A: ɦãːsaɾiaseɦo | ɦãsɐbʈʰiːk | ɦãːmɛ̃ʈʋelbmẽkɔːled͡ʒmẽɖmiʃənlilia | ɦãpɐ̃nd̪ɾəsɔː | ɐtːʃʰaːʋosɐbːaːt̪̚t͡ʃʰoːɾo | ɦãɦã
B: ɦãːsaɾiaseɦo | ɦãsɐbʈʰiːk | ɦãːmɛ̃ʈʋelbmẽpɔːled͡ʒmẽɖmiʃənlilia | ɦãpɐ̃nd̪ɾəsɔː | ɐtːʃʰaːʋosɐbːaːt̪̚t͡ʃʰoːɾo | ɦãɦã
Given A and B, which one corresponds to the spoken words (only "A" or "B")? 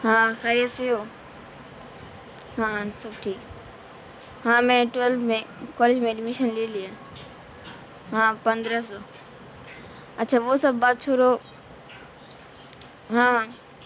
A